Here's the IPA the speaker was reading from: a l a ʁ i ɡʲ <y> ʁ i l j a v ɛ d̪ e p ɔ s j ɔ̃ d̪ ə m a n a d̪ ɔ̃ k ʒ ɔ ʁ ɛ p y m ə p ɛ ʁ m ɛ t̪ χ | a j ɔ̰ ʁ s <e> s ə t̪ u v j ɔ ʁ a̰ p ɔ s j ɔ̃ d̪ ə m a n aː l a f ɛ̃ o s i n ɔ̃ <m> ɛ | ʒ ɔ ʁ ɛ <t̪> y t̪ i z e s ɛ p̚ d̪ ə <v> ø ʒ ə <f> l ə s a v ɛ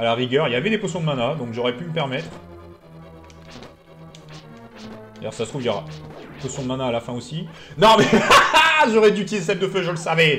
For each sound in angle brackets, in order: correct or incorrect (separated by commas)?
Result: incorrect, incorrect, correct, incorrect, incorrect, incorrect